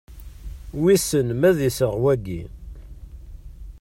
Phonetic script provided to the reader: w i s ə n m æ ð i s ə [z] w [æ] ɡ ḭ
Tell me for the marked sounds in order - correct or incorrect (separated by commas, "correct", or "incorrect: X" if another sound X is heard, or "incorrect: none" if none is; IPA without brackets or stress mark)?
incorrect: ʁ, correct